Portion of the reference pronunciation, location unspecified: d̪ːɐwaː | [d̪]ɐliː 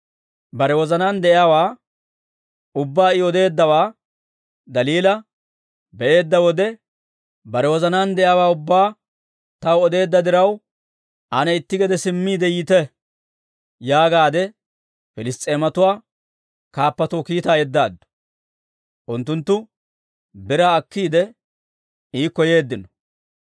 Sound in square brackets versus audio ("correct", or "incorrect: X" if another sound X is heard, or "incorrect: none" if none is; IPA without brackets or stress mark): correct